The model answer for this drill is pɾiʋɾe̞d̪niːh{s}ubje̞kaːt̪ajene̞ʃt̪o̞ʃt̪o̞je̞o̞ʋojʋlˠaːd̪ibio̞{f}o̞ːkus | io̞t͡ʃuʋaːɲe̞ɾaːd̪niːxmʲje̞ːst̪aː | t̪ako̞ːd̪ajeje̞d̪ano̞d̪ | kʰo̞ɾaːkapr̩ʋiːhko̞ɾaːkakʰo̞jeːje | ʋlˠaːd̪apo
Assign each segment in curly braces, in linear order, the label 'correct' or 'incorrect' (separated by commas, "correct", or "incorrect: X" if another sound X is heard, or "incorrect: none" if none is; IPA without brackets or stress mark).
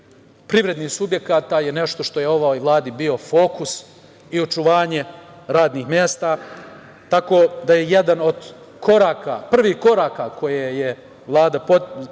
correct, correct